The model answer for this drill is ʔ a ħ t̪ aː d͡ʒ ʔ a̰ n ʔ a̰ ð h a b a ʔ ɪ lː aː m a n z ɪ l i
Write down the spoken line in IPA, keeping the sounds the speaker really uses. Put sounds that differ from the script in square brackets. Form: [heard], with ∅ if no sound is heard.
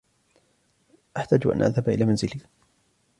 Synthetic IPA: ʔ a ħ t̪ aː d͡ʒ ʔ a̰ n ʔ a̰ ð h a b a ʔ ɪ [l] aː m a n z ɪ l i

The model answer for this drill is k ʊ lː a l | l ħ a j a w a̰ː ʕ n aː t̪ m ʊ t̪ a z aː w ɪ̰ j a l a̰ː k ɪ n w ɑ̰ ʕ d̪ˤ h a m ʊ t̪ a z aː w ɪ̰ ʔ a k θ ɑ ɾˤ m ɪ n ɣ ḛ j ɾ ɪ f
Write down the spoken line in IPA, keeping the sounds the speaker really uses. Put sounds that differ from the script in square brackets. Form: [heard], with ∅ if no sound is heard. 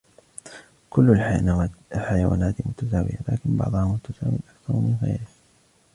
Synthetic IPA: k ʊ lː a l | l ħ a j a w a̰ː [∅] n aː t̪ m ʊ t̪ a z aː w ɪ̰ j a l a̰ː k ɪ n [b] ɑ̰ ʕ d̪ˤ h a m ʊ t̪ a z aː w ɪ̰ ʔ a k θ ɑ ɾˤ m ɪ n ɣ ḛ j ɾ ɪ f

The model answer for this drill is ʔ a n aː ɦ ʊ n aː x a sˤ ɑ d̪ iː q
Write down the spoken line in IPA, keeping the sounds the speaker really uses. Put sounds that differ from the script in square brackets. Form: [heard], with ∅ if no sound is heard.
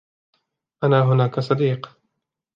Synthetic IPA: ʔ a n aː ɦ ʊ n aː [k] a sˤ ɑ d̪ iː q

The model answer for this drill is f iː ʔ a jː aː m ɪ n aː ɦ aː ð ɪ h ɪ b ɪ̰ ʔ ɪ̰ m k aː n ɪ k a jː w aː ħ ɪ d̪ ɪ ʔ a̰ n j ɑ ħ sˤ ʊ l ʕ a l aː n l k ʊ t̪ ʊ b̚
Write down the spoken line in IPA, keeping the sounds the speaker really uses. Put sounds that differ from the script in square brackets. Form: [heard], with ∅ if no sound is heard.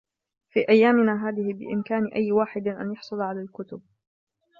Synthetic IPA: f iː ʔ a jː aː m ɪ n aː ɦ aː ð ɪ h ɪ b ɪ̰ ʔ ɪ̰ m k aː n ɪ [ʔ] a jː w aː ħ ɪ d̪ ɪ ʔ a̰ n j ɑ ħ sˤ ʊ l ʕ a l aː [∅] l k ʊ t̪ ʊ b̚

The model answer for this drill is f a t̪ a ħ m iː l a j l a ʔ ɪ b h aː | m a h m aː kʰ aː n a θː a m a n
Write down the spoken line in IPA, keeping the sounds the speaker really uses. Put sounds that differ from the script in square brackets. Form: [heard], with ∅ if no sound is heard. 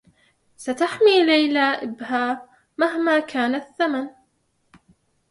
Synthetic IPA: [s] a t̪ a ħ m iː l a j l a ʔ ɪ b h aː | m a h m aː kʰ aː n a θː a m a n

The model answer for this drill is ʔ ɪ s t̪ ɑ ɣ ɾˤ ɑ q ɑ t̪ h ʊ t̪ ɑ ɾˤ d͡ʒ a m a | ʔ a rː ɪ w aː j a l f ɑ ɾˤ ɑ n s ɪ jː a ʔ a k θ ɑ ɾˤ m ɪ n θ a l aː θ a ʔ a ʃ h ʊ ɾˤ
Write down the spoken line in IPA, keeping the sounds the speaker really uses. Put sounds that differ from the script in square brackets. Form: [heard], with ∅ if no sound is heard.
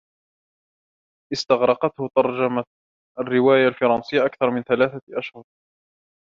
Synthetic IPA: ʔ ɪ s t̪ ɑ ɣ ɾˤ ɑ q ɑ t̪ h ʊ t̪ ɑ ɾˤ d͡ʒ a m a | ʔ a rː ɪ w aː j a l f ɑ ɾˤ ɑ n s ɪ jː a ʔ a k θ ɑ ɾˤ m ɪ n θ a l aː θ a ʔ a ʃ h ʊ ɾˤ

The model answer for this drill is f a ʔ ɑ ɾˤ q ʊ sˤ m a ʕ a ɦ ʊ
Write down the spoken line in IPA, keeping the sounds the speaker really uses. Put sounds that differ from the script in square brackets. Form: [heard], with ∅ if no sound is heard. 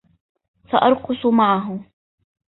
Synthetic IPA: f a ʔ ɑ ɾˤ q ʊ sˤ m a ʕ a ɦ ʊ

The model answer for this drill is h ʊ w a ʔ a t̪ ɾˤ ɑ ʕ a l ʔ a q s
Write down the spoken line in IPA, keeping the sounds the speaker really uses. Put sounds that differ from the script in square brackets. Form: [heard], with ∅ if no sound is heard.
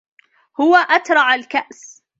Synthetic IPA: h ʊ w a ʔ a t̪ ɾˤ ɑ ʕ a l [k] a [ʔ] s

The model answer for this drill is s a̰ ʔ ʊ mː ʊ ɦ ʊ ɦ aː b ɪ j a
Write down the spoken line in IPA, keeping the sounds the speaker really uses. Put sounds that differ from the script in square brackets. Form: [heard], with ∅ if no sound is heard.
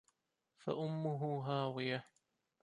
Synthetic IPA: [f] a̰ ʔ ʊ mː ʊ ɦ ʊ ɦ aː [w] ɪ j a

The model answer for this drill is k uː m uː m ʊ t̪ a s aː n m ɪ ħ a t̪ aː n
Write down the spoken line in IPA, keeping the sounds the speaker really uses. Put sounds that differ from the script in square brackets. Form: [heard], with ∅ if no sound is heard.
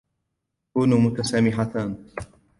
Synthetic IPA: k uː [n] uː m ʊ t̪ a s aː [∅] m ɪ ħ a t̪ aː n

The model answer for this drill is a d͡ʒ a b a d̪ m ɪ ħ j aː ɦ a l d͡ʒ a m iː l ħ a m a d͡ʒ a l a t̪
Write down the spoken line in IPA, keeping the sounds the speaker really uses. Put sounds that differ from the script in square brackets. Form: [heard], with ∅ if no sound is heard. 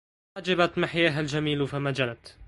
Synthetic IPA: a d͡ʒ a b a [t̪] m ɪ ħ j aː ɦ a l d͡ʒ a m iː l [f] a m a d͡ʒ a l a t̪

